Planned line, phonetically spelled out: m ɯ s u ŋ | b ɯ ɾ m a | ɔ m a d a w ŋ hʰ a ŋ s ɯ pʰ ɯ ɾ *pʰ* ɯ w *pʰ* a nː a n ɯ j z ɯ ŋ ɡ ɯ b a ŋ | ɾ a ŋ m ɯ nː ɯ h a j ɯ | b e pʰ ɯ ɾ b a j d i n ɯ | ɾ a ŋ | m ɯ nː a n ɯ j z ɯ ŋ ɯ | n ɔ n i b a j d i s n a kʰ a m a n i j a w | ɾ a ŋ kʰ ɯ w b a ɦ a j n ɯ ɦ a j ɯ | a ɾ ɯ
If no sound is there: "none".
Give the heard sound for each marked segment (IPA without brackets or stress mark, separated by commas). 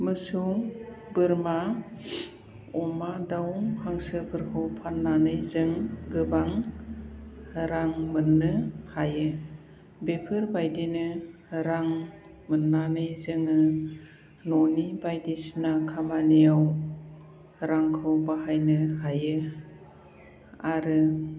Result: kʰ, pʰ